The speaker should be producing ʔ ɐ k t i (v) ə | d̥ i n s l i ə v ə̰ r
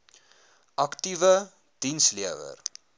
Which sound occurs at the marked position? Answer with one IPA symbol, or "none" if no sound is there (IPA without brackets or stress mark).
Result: v